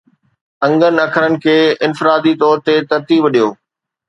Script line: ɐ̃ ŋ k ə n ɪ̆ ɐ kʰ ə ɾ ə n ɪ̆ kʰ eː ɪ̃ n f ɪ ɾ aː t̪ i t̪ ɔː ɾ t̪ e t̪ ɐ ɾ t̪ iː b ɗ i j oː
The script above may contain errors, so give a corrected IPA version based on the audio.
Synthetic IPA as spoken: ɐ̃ ŋ ɡ ə n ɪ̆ ɐ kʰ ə ɾ ə n ɪ̆ kʰ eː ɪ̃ n f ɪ ɾ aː d̪ i t̪ ɔː ɾ t̪ e t̪ ɐ ɾ t̪ iː b ɗ i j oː